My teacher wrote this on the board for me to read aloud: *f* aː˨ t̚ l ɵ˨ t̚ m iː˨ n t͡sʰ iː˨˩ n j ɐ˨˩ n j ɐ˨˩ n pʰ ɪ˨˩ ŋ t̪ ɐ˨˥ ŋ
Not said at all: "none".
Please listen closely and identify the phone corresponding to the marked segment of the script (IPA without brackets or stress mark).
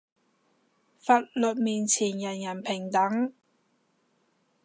f